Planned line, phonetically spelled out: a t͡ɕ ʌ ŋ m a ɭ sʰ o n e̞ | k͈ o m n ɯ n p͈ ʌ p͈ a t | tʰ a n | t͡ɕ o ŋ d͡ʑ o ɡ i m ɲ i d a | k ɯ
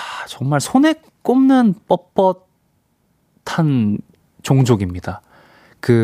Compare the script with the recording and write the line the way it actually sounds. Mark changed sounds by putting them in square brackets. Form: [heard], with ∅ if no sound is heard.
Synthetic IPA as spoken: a t͡ɕ ʌ ŋ m a ɭ sʰ o n e̞ | k͈ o m n ɯ n p͈ ʌ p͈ [ʌ] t | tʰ a n | t͡ɕ o ŋ d͡ʑ o ɡ i m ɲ i d a | k ɯ